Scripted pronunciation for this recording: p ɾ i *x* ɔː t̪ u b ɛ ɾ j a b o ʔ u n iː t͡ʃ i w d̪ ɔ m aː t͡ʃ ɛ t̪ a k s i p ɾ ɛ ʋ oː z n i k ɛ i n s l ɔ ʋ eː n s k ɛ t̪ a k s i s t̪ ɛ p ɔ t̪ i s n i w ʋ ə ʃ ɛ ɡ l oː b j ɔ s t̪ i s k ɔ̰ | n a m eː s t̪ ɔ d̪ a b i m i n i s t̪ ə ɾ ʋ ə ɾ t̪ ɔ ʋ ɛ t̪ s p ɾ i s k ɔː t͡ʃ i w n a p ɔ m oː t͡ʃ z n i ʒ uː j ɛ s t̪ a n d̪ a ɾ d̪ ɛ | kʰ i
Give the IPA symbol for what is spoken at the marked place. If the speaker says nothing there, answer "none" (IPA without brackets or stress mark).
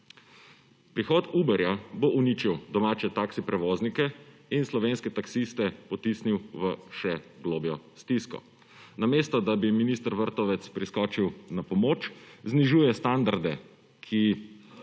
x